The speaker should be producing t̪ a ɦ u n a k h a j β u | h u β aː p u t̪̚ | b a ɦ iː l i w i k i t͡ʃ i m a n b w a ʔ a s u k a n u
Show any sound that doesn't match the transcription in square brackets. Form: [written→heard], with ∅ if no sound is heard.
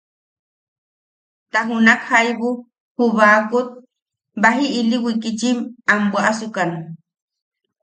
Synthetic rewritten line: t̪ a ɦ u n a k h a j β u | h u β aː [p→k] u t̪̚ | b a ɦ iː l i w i k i t͡ʃ i m a [n→m] b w a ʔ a s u k a n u